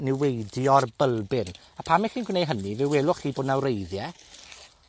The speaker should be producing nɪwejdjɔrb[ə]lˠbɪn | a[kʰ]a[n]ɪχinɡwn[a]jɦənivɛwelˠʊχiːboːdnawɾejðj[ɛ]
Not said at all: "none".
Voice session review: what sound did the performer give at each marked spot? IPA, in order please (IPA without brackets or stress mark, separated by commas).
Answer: ə, pʰ, m, e, ɛ